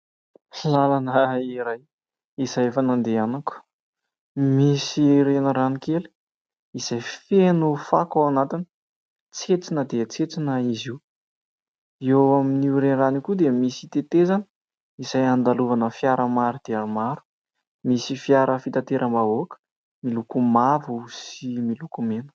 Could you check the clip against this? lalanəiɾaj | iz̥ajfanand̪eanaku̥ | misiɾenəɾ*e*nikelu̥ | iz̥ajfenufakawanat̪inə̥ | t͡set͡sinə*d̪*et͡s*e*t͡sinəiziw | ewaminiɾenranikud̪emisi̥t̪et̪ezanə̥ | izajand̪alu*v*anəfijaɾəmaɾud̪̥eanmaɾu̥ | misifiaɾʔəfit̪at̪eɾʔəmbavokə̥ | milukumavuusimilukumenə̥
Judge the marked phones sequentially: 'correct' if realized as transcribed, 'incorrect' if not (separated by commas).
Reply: incorrect, correct, correct, correct